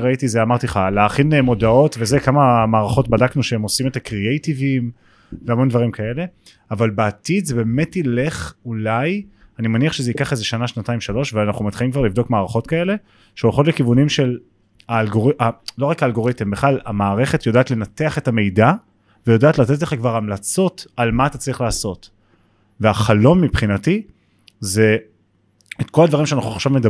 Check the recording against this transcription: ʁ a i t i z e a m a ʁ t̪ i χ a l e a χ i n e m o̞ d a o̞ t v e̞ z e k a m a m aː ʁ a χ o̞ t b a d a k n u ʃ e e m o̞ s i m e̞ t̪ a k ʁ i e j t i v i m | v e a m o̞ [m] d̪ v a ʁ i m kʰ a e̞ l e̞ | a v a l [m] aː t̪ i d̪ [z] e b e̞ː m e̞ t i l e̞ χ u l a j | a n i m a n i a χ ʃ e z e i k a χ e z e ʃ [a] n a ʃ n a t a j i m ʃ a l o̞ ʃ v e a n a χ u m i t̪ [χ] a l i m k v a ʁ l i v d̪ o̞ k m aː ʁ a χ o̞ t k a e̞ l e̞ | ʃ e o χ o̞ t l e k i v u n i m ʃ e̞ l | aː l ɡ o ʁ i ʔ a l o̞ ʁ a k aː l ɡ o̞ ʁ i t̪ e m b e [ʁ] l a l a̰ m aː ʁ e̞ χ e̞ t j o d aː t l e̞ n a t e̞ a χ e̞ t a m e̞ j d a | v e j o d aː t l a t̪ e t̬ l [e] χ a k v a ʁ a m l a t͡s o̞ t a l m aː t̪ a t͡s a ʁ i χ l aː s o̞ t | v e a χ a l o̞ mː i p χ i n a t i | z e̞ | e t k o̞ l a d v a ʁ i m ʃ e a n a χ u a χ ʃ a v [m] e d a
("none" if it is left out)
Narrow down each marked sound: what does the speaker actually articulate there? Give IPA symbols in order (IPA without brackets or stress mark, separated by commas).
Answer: n, b, z, a, χ, χ, e, m